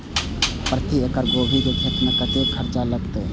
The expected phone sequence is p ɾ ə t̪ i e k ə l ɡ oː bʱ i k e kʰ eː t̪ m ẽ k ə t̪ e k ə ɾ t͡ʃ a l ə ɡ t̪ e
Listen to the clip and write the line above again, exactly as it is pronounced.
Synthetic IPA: p ɾ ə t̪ i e k ə ɾ ɡ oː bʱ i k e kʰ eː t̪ m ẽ k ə t̪ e kʰ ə ɾ t͡ʃ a l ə ɡ t̪ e